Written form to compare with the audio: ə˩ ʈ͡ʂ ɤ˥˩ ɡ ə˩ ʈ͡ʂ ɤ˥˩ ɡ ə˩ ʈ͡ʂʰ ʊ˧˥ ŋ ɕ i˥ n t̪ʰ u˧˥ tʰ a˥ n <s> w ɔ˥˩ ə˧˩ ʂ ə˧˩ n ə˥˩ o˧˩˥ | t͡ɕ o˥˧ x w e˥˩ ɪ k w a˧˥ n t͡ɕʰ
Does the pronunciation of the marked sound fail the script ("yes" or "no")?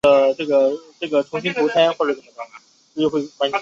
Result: yes